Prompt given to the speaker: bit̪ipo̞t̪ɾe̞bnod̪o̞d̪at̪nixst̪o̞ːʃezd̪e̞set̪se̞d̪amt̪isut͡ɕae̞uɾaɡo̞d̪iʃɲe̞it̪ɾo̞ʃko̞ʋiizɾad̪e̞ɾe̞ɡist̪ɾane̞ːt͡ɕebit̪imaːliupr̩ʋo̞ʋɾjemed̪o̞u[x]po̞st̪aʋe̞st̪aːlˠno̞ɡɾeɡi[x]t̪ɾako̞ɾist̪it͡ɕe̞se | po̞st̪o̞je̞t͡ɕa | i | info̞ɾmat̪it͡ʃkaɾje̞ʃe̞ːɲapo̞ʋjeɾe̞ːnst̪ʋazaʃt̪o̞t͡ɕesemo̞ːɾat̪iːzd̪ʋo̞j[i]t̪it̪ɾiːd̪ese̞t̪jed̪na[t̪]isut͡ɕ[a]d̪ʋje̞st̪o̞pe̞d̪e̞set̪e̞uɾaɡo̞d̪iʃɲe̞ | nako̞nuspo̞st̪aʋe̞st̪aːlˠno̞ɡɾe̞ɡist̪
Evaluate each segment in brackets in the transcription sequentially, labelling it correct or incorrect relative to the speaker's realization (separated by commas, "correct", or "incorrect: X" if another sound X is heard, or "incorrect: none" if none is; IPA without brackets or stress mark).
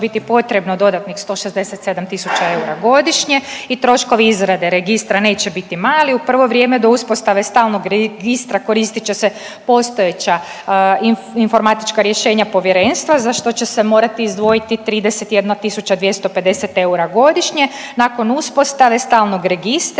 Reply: incorrect: s, incorrect: s, correct, correct, correct